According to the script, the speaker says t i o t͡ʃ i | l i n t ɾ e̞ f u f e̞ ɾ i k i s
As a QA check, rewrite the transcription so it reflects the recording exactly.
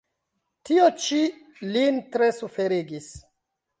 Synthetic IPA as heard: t i o t͡ʃ i | l i n t ɾ e̞ s u f e̞ ɾ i ɡ i s